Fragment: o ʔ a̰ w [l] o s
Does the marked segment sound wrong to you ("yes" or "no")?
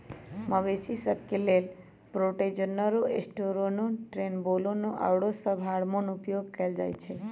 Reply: yes